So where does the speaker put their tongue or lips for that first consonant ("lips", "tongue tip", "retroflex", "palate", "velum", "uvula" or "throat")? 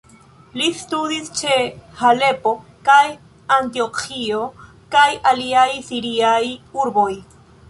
tongue tip